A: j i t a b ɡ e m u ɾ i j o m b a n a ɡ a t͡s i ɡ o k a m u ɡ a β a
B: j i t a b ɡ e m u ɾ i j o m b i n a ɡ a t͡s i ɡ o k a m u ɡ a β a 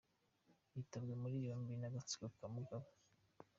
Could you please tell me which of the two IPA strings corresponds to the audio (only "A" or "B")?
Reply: B